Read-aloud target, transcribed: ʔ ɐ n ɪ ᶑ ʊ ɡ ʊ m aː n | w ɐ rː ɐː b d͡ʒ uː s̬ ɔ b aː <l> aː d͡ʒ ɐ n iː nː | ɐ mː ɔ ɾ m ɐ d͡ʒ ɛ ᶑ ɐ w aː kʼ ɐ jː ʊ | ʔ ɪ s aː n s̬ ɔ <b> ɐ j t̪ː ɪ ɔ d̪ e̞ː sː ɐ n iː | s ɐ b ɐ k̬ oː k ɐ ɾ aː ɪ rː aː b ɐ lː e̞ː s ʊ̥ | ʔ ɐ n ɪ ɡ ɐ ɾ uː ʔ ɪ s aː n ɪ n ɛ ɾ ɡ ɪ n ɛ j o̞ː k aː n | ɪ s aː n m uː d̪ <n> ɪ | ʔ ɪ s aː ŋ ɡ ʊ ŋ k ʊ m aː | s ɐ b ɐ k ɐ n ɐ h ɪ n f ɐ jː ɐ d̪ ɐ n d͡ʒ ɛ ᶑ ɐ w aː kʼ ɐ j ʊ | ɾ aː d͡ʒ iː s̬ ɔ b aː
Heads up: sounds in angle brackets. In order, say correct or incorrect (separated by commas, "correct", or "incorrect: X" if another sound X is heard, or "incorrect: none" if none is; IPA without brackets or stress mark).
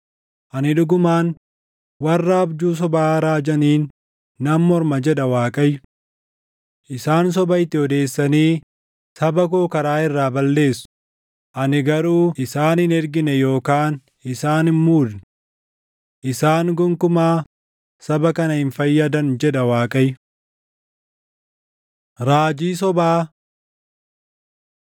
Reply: incorrect: ɾ, correct, correct